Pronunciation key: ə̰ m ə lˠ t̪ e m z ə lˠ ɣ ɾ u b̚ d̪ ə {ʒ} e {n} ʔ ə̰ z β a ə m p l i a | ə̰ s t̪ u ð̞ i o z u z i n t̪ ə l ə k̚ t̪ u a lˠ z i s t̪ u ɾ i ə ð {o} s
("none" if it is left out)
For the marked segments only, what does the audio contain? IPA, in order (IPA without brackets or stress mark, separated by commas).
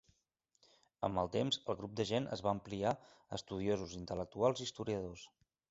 ʒ, n, o